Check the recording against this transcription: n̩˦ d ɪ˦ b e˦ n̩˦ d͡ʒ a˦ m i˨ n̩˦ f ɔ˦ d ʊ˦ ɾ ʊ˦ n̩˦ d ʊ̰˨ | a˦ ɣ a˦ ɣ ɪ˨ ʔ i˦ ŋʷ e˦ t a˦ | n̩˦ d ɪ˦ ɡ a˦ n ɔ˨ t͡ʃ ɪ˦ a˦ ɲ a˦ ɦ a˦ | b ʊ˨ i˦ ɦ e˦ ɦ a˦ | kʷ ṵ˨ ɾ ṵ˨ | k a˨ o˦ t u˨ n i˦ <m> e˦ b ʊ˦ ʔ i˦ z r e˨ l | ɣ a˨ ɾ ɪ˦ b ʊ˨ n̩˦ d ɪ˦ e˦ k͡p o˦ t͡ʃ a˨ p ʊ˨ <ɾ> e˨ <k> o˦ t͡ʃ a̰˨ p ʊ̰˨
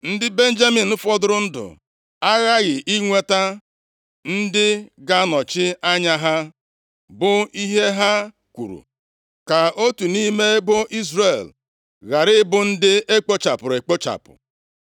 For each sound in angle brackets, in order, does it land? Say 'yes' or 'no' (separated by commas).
yes, yes, no